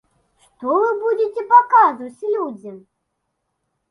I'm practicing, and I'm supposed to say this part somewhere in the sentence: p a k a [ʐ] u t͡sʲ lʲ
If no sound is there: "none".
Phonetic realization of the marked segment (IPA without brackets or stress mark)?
z